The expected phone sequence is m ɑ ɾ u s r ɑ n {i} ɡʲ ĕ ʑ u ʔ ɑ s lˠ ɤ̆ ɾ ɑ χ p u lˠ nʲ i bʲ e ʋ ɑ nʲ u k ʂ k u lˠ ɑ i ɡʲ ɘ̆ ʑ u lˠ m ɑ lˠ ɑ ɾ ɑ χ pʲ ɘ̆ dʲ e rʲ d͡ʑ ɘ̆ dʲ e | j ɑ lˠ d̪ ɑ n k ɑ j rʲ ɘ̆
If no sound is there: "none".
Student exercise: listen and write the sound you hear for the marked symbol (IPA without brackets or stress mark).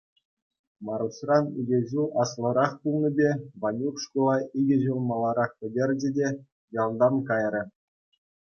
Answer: i